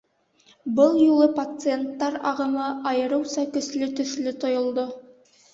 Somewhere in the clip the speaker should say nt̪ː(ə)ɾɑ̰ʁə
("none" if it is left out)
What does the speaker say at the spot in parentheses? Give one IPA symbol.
ɑ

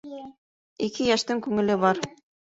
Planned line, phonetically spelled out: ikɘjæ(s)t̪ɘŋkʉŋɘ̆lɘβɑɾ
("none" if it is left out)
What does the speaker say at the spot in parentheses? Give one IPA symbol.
ʃ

